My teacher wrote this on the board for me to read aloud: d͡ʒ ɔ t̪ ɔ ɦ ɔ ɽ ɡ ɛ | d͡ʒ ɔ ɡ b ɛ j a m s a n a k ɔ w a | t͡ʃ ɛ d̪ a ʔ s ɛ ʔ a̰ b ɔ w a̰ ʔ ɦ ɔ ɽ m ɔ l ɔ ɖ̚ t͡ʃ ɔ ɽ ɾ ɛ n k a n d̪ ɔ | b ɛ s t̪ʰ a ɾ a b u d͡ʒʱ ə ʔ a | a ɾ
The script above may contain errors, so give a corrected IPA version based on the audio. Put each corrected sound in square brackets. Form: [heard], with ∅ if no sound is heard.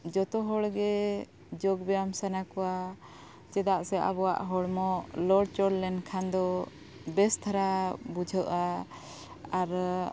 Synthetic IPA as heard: d͡ʒ ɔ t̪ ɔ ɦ ɔ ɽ ɡ ɛ | d͡ʒ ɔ ɡ b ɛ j a m s a n a k ɔ w a | t͡ʃ ɛ d̪ a ʔ s ɛ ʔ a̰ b ɔ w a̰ ʔ ɦ ɔ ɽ m ɔ l ɔ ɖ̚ t͡ʃ ɔ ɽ [l] ɛ n [kʰ] a n d̪ ɔ | b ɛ s t̪ʰ a ɾ a b u d͡ʒʱ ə ʔ a | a ɾ

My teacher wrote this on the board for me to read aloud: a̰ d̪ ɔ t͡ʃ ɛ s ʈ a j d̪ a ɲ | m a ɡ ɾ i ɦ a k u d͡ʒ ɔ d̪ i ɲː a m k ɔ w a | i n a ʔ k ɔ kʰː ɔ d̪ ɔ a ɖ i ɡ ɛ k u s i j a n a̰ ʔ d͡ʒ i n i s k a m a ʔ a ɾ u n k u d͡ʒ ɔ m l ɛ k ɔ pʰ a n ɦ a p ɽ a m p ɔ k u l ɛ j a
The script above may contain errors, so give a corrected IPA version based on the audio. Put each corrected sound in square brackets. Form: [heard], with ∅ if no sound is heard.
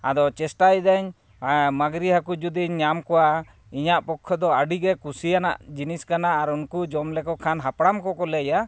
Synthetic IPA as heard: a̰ d̪ ɔ t͡ʃ ɛ s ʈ a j d̪ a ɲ | m a ɡ ɾ i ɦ a k u d͡ʒ [u] d̪ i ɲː a m k ɔ w a | i [ɲ] a ʔ [p] ɔ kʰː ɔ d̪ ɔ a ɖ i ɡ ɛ k u s i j a n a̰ ʔ d͡ʒ i n i s k a [n] a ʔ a ɾ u n k u d͡ʒ ɔ m l ɛ k ɔ [kʰ] a n ɦ a p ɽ a m [k] ɔ k [ɔ] l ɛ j a

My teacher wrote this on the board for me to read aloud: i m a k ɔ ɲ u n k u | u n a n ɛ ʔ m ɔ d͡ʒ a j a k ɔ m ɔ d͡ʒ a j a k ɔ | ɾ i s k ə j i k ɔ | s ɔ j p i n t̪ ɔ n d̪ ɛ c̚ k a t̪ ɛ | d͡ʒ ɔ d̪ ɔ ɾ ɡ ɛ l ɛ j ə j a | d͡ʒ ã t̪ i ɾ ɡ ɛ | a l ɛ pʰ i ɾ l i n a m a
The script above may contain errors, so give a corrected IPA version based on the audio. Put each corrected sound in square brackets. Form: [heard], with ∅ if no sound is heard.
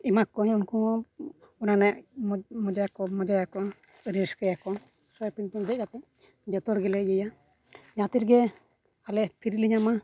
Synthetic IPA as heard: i m a k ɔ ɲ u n k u | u n a n ɛ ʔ m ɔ d͡ʒ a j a k ɔ m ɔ d͡ʒ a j a k ɔ | ɾ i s k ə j [a] k ɔ | s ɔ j p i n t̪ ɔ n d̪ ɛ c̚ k a t̪ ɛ | d͡ʒ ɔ [t̪] ɔ ɾ ɡ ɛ l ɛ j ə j a | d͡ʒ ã t̪ i ɾ ɡ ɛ | a l ɛ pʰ i ɾ l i [ɲ] a m a

